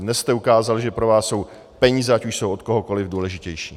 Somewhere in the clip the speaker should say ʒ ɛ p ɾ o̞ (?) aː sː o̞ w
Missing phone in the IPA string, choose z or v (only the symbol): v